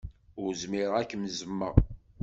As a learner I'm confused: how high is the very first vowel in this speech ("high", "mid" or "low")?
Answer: high